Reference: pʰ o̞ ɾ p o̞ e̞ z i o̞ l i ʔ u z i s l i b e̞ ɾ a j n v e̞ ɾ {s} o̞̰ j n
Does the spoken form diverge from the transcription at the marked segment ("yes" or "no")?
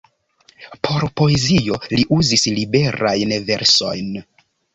no